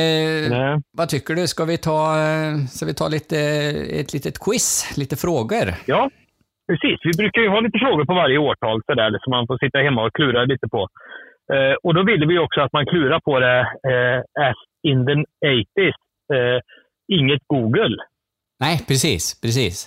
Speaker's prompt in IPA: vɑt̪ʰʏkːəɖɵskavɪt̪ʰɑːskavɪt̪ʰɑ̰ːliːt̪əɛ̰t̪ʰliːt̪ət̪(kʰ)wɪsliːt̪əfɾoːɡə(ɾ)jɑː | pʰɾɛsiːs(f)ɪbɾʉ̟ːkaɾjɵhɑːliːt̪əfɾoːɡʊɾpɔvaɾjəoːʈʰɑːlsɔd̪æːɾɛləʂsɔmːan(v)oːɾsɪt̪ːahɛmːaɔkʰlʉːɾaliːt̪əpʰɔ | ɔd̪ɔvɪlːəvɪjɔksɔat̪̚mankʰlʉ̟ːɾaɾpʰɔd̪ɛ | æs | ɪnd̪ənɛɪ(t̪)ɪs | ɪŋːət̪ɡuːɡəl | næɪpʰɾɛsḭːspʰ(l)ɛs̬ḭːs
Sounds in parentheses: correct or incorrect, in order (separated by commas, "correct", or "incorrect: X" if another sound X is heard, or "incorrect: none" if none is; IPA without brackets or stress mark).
correct, correct, incorrect: v, incorrect: f, correct, incorrect: ɾ